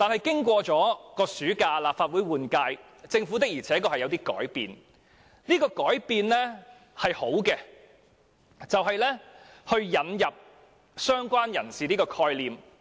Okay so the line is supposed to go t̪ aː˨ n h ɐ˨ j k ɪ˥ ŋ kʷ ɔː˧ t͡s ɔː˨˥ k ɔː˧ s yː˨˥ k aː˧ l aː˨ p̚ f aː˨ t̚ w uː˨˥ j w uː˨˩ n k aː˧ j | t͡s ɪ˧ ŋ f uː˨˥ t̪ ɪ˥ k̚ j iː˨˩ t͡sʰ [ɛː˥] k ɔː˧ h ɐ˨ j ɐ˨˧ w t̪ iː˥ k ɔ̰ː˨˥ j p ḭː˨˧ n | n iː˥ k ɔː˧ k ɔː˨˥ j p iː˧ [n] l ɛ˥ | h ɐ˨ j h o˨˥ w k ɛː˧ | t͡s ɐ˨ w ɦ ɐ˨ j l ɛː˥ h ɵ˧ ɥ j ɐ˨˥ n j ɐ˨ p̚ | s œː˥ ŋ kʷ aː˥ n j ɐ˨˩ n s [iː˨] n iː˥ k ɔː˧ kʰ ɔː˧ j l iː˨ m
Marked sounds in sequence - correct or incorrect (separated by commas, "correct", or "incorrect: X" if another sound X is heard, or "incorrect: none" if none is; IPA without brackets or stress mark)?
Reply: incorrect: ɛː˨˥, correct, correct